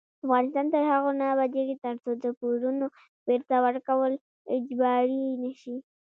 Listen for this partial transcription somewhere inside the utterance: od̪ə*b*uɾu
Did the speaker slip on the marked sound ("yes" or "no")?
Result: yes